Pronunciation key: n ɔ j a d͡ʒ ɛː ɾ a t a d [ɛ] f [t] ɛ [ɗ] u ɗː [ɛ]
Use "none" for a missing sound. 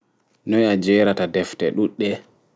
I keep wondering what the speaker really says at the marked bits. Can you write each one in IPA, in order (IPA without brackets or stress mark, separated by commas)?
ɛ, t, ɗ, ɛ